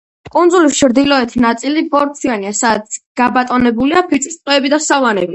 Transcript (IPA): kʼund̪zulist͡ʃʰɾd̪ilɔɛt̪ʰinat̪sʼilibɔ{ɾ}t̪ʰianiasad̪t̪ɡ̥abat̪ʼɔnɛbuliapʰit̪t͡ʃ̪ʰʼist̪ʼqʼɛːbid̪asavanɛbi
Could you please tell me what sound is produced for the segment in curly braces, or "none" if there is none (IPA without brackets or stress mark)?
ɾ